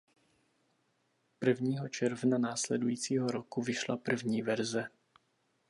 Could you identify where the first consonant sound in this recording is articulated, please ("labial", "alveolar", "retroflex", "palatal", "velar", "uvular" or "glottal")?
labial